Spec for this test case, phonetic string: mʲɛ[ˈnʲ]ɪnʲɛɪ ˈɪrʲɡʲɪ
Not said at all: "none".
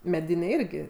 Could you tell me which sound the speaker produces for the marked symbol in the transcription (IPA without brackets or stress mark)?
dʲ